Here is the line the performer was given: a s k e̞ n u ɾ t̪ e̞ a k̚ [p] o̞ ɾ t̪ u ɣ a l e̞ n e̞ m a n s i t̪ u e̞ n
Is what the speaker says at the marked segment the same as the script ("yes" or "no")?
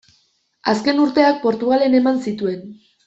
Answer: yes